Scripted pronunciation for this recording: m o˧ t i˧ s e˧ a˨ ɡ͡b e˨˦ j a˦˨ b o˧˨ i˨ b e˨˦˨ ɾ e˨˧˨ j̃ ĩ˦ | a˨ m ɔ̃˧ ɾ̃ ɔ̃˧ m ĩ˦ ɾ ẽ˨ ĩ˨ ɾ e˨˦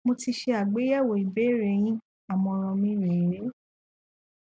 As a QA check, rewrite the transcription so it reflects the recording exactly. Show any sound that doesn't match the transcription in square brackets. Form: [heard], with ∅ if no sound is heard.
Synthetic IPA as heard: m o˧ t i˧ [ʃ] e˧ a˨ ɡ͡b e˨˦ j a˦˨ [w] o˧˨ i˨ b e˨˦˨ ɾ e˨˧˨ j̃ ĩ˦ | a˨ m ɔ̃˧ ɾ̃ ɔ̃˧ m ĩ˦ ɾ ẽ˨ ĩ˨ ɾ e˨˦